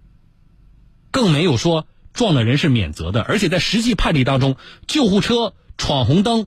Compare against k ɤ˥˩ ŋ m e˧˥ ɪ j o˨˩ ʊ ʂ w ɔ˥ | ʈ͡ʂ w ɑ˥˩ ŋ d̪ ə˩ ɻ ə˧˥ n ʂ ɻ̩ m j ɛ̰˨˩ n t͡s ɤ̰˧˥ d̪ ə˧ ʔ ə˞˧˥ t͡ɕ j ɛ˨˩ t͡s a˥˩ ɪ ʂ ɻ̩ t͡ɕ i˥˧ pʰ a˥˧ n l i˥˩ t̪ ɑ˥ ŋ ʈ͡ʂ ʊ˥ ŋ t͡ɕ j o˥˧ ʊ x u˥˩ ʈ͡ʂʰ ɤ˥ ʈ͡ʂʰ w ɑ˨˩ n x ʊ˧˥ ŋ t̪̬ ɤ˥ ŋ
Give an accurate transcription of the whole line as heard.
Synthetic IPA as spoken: k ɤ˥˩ ŋ m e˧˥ ɪ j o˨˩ ʊ ʂ w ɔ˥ | ʈ͡ʂ w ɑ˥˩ ŋ d̪ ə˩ ɻ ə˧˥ n ʂ ɻ̩ m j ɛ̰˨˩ n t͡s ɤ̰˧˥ d̪ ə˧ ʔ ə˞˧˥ t͡ɕʰ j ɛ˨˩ t͡s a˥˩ ɪ ʂ ɻ̩ t͡ɕ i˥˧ pʰ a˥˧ n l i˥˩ t̪ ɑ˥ ŋ ʈ͡ʂ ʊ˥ ŋ t͡ɕ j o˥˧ ʊ x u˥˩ ʈ͡ʂʰ ɤ˥ ʈ͡ʂʰ w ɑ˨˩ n x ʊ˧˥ ŋ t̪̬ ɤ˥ ŋ